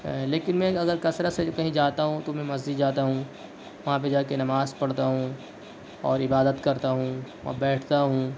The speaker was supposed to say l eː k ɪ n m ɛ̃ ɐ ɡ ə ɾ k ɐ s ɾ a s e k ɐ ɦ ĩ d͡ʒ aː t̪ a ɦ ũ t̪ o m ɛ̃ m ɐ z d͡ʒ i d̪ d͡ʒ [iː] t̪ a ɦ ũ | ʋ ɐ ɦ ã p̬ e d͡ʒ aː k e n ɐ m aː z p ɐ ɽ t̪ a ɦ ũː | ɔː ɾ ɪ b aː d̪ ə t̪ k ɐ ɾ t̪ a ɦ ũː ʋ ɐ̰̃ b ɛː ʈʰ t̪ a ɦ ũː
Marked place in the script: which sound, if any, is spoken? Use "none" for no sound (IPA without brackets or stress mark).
aː